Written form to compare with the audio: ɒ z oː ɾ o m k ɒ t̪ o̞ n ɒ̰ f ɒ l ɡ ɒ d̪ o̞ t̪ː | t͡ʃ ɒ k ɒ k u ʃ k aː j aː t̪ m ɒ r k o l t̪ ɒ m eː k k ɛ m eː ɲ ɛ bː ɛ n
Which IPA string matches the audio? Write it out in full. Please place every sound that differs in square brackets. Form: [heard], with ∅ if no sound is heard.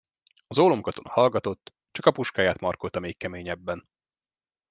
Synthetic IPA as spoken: ɒ z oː [l] o m k ɒ t̪ o̞ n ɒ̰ [h] ɒ l ɡ ɒ [t̪] o̞ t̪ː | t͡ʃ ɒ k ɒ [p] u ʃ k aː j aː t̪ m ɒ r k o l t̪ ɒ m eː k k ɛ m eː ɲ ɛ bː ɛ n